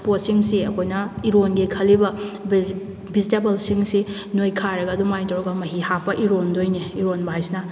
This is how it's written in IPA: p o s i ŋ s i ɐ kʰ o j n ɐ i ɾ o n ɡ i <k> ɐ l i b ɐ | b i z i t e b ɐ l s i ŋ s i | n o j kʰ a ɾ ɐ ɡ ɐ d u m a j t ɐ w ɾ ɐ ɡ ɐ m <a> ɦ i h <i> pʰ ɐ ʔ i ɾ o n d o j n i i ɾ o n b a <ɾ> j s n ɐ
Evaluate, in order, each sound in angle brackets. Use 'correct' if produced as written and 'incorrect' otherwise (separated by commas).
incorrect, incorrect, incorrect, incorrect